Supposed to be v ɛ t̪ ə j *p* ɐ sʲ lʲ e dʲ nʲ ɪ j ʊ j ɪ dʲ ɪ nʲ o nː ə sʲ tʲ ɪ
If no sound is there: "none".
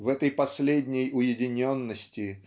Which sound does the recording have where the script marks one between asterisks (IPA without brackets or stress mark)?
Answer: p